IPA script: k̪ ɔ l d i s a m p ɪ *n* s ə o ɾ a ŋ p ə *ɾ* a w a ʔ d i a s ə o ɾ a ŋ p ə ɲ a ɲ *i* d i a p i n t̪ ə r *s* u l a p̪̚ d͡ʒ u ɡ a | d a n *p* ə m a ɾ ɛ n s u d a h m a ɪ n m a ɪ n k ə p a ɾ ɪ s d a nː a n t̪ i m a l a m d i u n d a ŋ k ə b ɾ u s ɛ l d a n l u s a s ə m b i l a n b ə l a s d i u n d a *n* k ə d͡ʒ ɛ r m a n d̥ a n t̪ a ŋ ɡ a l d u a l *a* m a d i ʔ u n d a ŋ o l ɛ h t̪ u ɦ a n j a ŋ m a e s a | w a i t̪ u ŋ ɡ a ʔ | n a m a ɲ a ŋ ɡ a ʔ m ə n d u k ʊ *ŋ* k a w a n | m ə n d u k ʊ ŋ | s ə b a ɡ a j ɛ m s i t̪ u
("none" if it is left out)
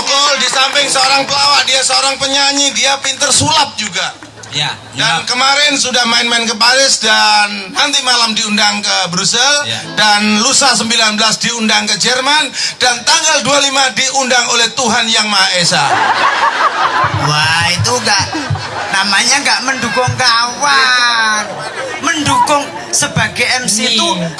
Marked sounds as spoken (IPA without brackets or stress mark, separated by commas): ŋ, l, i, s, k, ŋ, i, ŋ